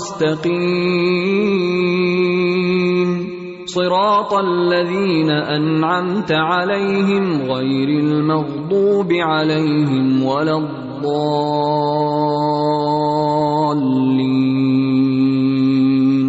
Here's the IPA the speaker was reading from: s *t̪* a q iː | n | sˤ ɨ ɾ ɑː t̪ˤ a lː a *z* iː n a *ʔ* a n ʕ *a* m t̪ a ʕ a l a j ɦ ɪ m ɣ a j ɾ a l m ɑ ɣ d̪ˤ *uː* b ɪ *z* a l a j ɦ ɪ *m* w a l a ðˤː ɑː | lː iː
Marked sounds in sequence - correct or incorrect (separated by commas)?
correct, incorrect, correct, correct, correct, incorrect, correct